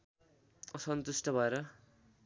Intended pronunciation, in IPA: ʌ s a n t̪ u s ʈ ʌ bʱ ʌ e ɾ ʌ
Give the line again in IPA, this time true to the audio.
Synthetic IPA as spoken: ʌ s ʌ n t̪ u s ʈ ʌ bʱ ʌ e ɾ ʌ